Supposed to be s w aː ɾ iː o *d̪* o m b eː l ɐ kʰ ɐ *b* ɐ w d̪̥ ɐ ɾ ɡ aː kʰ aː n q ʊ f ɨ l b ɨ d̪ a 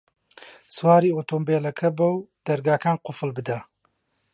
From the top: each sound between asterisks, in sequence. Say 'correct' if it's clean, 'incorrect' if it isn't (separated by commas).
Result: incorrect, correct